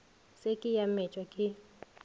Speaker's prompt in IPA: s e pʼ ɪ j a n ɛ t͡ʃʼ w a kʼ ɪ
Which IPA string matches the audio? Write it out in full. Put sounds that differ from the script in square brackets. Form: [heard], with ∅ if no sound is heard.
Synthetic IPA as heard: s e [kʼ] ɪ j a [m] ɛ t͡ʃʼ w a kʼ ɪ